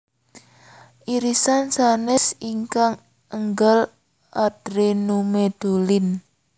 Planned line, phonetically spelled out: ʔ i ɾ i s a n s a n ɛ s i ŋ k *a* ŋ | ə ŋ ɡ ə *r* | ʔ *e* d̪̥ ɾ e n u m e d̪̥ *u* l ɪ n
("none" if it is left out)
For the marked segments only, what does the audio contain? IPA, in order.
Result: a, l, a, o

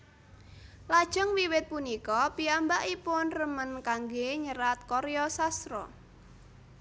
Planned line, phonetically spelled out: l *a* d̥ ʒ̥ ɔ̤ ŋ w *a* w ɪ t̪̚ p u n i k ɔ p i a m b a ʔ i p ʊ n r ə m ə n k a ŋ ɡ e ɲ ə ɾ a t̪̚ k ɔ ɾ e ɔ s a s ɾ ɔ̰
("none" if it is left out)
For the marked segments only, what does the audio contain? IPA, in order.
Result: a, i

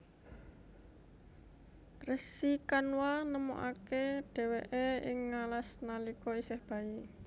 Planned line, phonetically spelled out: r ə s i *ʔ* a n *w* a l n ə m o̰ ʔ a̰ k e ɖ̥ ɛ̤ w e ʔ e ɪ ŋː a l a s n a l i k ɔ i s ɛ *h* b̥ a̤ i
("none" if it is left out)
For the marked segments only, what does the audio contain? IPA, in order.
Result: k, w, h

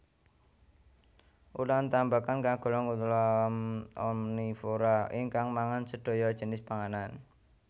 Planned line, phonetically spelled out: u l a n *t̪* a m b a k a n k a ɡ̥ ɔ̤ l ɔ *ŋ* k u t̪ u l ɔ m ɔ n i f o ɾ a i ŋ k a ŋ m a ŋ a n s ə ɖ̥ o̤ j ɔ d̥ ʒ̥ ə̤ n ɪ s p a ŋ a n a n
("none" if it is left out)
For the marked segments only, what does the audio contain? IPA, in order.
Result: t̪, ŋ

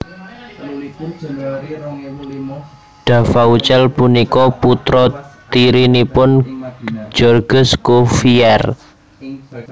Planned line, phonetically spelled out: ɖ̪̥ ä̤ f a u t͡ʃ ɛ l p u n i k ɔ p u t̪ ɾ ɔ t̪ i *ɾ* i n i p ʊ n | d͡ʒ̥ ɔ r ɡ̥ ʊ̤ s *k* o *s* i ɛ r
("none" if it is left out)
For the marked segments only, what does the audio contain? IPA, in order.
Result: ɾ, k, f

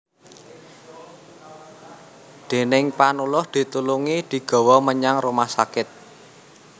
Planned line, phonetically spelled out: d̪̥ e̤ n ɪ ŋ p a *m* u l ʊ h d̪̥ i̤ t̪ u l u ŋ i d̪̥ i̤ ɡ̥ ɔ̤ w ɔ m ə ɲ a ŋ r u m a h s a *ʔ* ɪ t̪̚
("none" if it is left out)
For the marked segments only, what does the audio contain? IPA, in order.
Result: n, k

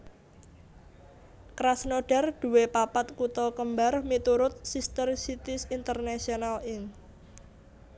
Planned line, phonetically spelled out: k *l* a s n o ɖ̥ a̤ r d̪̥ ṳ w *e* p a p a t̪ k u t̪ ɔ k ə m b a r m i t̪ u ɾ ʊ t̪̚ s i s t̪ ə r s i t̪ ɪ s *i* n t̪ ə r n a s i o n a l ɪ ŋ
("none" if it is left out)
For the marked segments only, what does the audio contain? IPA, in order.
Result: ɾ, e, i

